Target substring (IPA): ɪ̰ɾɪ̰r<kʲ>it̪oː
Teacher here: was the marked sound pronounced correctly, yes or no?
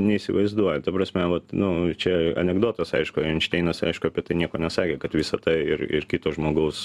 yes